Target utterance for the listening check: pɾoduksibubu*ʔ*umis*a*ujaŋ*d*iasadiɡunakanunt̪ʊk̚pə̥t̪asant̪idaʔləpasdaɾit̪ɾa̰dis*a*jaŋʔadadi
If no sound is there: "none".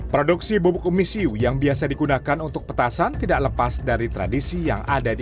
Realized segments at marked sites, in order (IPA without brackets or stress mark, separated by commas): k, i, b, i